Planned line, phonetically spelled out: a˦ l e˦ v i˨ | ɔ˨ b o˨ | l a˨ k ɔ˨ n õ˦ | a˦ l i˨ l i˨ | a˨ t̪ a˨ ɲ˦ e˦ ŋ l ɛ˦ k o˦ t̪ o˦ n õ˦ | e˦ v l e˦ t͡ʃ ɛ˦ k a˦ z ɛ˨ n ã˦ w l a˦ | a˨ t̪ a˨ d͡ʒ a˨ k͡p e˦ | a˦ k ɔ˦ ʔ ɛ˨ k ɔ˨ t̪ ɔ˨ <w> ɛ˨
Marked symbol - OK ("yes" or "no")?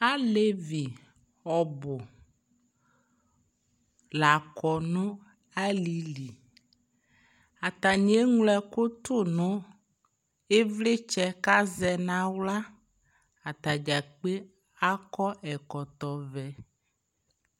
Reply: no